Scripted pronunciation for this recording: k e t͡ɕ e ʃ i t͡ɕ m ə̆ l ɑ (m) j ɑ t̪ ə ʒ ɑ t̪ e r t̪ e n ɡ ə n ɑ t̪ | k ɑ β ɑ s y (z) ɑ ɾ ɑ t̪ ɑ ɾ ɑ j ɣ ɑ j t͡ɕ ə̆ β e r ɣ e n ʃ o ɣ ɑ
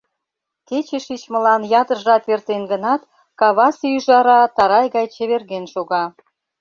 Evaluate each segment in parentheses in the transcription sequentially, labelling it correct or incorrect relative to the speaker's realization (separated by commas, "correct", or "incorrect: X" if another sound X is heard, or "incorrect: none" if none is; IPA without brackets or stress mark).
incorrect: n, incorrect: ʒ